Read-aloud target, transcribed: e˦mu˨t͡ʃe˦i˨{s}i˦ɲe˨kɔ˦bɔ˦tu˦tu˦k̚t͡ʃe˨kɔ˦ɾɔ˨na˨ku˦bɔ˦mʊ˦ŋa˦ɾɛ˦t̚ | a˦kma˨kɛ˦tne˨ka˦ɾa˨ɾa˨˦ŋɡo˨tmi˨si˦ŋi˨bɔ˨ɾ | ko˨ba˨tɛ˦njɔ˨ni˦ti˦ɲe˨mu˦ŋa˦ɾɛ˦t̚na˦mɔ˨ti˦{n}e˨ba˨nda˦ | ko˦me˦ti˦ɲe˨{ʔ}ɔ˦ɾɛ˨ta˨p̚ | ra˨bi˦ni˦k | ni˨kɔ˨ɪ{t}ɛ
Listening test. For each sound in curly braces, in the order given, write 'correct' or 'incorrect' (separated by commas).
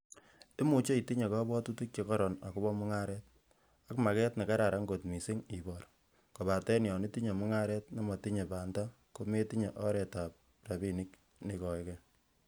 incorrect, incorrect, correct, incorrect